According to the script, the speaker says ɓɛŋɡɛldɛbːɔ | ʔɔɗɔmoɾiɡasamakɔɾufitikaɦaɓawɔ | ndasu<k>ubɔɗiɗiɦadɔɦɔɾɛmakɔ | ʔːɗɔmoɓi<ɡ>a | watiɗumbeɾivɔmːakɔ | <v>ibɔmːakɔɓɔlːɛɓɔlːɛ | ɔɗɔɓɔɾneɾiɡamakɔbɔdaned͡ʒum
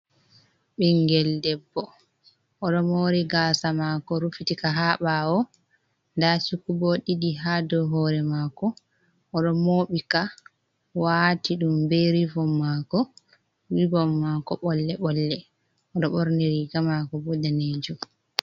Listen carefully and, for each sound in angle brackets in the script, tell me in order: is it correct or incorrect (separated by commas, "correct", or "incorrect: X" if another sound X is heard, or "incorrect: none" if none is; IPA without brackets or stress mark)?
correct, incorrect: k, incorrect: w